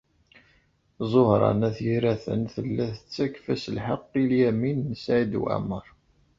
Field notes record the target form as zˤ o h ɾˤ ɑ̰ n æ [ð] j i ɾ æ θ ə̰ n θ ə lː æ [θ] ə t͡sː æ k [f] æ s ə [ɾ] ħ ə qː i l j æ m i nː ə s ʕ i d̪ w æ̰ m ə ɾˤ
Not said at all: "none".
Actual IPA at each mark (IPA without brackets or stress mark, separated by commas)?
θ, θ, f, l